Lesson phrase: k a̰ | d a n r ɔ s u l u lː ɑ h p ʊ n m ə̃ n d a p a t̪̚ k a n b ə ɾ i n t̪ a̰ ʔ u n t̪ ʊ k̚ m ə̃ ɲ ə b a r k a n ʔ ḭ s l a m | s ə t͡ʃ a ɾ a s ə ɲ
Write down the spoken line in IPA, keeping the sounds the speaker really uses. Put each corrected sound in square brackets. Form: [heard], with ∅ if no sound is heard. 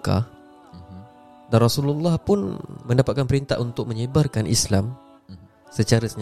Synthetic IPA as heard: k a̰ | d a n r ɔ s u l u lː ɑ h p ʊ n m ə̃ n d a p a t̪̚ k a n [p] ə ɾ i n t̪ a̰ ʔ u n t̪ ʊ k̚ m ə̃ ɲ ə b a r k a n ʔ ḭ s l a m | s ə t͡ʃ a ɾ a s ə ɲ